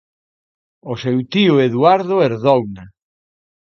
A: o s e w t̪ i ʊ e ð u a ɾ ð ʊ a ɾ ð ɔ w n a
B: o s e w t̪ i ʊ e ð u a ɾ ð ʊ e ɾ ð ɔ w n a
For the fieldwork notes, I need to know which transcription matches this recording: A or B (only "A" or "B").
B